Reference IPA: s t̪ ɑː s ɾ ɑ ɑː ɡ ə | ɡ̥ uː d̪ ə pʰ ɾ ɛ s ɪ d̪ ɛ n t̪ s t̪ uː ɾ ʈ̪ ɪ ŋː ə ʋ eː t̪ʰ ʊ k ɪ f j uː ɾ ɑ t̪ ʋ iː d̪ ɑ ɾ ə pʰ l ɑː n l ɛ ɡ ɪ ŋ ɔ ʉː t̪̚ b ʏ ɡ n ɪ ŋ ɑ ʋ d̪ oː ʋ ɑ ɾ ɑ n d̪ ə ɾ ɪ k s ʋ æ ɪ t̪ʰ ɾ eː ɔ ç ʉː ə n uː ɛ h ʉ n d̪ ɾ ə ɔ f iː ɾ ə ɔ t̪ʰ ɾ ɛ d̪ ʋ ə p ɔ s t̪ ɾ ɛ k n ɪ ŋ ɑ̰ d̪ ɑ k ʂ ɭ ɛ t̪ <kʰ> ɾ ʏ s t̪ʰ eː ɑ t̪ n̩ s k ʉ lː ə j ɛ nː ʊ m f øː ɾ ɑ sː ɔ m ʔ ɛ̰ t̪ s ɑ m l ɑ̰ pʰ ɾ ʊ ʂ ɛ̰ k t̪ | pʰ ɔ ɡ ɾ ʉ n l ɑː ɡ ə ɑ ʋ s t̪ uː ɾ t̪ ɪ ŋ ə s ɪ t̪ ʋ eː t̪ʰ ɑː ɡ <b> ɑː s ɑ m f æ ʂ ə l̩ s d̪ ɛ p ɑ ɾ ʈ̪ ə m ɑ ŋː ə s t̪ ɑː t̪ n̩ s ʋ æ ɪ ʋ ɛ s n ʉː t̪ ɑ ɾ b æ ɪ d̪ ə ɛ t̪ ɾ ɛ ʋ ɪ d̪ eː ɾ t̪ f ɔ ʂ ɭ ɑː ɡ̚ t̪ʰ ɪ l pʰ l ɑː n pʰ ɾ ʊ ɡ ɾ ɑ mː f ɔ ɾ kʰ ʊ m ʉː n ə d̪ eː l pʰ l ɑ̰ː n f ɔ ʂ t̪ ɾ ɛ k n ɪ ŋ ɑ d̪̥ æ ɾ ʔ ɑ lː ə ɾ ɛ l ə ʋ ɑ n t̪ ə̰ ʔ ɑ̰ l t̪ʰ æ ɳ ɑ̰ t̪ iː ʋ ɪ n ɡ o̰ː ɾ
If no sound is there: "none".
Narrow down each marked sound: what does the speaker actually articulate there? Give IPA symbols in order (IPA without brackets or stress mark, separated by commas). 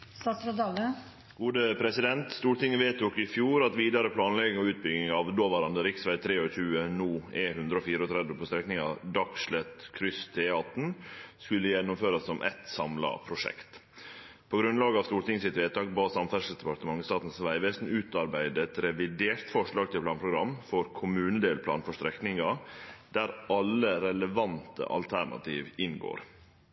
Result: kʰ, b